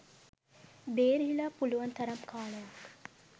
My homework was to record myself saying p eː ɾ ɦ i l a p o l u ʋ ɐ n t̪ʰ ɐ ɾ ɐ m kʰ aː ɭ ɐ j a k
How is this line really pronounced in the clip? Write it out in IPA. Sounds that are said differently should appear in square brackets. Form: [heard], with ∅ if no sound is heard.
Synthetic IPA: [b] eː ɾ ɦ i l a p [u] l u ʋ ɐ n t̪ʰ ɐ ɾ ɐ m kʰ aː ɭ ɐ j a k